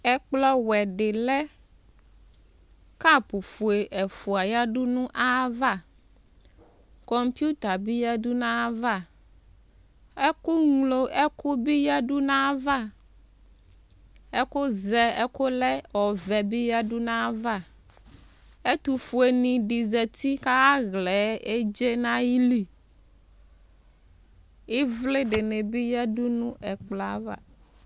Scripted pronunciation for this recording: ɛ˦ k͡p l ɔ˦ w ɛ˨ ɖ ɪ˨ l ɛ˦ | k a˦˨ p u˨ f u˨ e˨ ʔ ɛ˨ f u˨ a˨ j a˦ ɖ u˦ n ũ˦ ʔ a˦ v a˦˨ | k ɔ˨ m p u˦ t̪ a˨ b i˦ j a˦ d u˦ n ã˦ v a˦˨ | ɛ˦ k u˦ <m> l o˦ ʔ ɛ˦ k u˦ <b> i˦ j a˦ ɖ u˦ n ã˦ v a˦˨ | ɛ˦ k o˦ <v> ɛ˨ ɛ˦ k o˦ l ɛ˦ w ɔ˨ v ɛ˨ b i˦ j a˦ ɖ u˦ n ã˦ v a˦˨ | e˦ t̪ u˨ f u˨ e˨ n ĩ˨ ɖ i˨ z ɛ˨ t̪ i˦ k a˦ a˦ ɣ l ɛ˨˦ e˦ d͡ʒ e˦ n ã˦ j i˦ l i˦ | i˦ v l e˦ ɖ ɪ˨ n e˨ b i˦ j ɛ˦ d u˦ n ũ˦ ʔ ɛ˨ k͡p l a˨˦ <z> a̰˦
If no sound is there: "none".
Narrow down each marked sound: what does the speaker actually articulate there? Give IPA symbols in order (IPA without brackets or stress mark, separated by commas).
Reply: ŋ, b, z, v